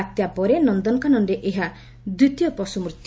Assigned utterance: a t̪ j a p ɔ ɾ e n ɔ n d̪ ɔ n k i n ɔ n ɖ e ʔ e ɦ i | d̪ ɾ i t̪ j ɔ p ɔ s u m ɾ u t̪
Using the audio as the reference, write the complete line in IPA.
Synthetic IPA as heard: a t̪ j a p ɔ ɾ e n ɔ n d̪ ɔ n k a n ɔ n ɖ e ʔ e ɦ a | d̪ ɾ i t̪ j ɔ p ɔ s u m ɾ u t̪